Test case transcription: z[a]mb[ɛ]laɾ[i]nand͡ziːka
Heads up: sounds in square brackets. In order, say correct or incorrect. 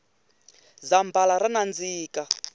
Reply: correct, incorrect: a, incorrect: a

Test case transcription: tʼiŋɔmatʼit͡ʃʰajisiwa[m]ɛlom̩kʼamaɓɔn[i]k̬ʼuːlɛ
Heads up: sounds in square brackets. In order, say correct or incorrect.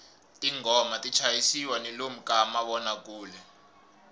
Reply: incorrect: n, incorrect: a

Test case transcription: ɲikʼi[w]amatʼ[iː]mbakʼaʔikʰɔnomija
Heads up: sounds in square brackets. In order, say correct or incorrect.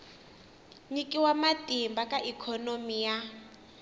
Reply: correct, incorrect: i

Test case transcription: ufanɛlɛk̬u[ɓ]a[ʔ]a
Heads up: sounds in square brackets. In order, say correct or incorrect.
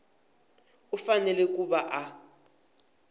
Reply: correct, correct

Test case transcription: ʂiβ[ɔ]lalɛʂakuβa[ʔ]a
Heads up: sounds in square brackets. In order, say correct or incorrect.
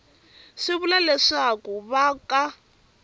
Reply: incorrect: u, incorrect: k

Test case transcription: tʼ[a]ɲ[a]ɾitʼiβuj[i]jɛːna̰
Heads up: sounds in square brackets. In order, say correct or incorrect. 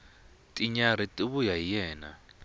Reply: incorrect: i, correct, incorrect: a

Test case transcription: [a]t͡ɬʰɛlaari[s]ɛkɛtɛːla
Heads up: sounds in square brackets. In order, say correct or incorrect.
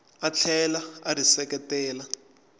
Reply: correct, correct

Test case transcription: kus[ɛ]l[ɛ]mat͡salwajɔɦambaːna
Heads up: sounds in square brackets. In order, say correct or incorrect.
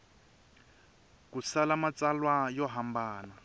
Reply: incorrect: a, incorrect: a

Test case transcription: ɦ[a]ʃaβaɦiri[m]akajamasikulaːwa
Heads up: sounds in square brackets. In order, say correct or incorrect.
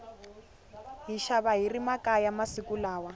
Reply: incorrect: i, correct

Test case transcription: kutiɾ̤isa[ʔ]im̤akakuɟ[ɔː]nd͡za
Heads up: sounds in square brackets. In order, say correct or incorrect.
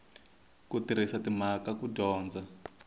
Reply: incorrect: t, correct

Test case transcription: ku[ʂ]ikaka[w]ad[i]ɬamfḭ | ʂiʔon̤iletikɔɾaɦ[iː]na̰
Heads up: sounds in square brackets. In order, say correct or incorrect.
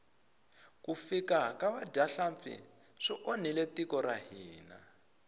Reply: incorrect: f, incorrect: β, incorrect: a, correct

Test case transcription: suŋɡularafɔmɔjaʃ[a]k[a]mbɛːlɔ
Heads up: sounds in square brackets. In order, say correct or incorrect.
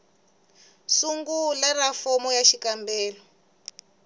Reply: incorrect: i, correct

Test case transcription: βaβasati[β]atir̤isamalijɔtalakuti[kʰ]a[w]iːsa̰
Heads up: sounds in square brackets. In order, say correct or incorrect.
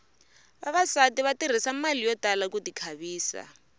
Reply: correct, correct, incorrect: β

